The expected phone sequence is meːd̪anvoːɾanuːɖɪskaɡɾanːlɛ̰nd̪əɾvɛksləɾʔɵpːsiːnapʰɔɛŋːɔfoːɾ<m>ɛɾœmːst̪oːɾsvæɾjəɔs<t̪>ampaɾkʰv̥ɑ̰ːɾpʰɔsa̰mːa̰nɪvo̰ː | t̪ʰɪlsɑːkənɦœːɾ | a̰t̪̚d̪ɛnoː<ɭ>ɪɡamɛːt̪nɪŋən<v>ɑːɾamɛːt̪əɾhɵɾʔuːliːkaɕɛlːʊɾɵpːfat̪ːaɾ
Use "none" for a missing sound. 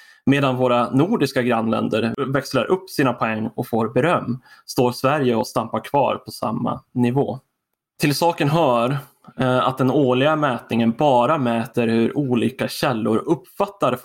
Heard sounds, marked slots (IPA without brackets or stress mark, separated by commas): b, t̪, ɭ, b